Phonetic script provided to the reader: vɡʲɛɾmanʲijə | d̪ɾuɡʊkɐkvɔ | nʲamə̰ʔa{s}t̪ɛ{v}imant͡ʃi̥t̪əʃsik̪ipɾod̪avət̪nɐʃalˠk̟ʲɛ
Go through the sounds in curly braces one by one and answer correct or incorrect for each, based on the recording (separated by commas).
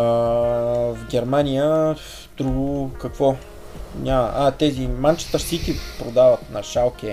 incorrect, incorrect